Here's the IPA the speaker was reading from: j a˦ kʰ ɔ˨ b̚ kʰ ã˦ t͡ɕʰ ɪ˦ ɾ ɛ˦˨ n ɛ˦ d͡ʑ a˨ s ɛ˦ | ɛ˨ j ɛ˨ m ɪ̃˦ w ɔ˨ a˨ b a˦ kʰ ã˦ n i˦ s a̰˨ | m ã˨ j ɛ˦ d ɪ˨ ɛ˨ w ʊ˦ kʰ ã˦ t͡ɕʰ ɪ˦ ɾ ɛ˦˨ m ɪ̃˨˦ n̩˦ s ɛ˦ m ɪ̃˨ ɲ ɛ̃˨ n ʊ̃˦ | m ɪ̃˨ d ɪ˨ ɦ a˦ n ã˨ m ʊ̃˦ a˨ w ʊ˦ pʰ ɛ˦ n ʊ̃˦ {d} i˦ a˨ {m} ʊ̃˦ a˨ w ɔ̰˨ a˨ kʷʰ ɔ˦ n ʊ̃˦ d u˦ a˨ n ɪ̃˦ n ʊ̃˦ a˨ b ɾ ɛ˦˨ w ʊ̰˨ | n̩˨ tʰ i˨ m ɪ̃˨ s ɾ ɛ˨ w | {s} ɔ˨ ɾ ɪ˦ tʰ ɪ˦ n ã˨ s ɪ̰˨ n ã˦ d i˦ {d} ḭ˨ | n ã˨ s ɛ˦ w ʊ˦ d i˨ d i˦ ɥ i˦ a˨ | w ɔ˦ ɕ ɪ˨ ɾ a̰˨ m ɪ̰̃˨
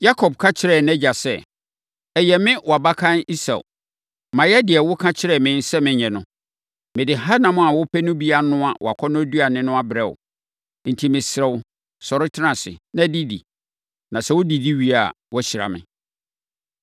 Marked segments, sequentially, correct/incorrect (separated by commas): incorrect, incorrect, correct, correct